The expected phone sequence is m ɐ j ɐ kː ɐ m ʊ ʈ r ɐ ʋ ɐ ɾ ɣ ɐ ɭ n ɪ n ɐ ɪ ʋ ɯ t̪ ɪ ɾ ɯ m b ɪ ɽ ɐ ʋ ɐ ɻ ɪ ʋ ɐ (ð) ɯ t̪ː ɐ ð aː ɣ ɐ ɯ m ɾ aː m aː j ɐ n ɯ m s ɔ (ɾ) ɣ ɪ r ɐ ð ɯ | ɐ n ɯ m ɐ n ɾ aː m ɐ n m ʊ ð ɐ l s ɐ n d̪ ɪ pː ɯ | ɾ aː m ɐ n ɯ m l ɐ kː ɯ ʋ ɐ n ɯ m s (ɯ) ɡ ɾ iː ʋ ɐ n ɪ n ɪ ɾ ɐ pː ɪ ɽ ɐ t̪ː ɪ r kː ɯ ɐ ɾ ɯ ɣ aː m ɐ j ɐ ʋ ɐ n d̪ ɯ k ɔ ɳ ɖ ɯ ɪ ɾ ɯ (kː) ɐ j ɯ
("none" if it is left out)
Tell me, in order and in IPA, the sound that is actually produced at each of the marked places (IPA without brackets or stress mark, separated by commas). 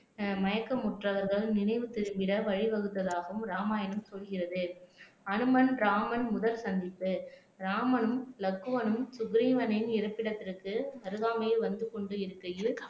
ɣ, l, ʊ, kː